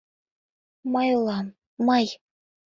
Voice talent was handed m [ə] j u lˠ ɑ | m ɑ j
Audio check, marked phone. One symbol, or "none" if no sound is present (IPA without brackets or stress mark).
ɑ